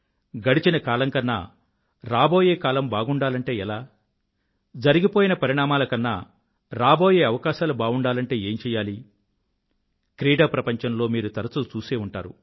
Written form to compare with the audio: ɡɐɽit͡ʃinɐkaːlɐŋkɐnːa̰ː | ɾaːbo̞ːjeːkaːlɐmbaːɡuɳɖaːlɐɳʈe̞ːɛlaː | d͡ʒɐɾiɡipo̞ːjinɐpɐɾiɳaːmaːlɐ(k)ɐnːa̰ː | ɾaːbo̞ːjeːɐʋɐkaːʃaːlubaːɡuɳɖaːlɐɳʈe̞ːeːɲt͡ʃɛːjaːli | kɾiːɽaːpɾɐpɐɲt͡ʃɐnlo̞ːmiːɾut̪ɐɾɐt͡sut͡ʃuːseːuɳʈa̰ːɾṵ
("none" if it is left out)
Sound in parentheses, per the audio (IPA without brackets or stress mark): k